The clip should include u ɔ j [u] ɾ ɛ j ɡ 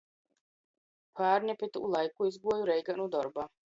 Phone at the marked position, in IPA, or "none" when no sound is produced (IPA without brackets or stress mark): u